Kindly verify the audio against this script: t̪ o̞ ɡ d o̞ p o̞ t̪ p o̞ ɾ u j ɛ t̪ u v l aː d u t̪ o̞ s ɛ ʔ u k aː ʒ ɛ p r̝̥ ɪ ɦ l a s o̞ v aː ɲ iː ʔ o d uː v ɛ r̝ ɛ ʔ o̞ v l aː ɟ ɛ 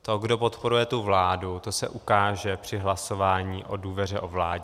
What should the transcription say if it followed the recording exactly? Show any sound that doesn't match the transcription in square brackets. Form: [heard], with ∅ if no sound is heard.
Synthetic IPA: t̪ o̞ ɡ d o̞ p o̞ t̪ p o̞ ɾ u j ɛ t̪ u v l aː d u t̪ o̞ s ɛ ʔ u k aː ʒ ɛ p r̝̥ ɪ ɦ l a s o̞ v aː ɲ iː ʔ o d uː v ɛ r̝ ɛ ʔ o̞ v l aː ɟ ɛ

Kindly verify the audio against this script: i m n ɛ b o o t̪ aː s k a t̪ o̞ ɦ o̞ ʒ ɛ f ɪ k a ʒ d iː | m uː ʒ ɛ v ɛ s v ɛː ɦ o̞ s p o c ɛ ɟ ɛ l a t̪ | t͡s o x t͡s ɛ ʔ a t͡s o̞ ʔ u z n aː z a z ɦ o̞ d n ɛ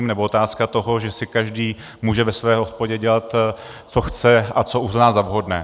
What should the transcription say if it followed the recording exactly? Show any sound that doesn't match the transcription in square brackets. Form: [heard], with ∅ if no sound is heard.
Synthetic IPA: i m n ɛ b o o t̪ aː s k a t̪ o̞ ɦ o̞ ʒ ɛ [s] ɪ k a ʒ d iː | m uː ʒ ɛ v ɛ s v ɛː ɦ o̞ s p o [ɟ] ɛ ɟ ɛ l a t̪ | t͡s o x t͡s ɛ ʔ a t͡s o̞ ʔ u z n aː z a [v] ɦ o̞ d n [ɛː]

